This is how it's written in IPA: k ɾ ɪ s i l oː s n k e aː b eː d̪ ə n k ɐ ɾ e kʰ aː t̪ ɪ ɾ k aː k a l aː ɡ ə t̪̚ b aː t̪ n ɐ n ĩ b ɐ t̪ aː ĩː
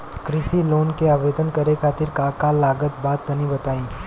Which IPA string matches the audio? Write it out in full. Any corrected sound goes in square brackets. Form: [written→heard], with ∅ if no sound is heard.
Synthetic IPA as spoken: k ɾ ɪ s i l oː [s→∅] n k e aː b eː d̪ ə n k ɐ ɾ e kʰ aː t̪ ɪ ɾ k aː k a l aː ɡ ə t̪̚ b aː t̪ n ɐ n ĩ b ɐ t̪ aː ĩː